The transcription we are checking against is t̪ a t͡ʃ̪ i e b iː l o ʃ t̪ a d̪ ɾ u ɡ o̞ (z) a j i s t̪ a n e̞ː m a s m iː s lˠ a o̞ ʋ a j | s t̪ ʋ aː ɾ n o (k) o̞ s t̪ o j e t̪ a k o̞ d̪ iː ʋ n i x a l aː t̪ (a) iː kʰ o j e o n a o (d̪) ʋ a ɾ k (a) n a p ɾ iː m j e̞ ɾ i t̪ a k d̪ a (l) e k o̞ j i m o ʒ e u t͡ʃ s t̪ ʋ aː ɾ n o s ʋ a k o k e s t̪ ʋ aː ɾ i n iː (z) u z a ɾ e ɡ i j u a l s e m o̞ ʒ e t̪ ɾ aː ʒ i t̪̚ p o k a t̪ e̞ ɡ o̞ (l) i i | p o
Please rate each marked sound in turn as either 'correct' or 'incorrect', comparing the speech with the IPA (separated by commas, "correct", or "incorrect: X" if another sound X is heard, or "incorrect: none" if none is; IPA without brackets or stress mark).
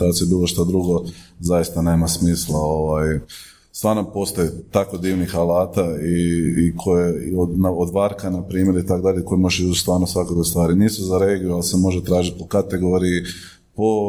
correct, incorrect: p, correct, correct, correct, incorrect: ʎ, incorrect: s, incorrect: ɾ